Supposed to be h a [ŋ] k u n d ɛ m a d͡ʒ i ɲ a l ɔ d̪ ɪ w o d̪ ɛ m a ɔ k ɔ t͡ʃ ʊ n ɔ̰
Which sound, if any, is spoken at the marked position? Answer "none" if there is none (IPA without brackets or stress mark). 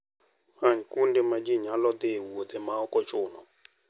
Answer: ɲ